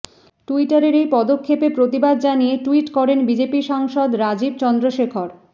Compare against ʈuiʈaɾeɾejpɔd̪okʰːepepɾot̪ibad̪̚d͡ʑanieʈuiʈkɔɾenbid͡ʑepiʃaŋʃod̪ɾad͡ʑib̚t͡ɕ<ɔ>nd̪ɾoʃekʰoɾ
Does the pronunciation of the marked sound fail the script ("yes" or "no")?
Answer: no